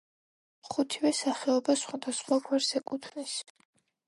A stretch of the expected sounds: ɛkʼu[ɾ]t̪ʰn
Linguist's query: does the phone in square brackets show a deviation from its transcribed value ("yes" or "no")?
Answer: yes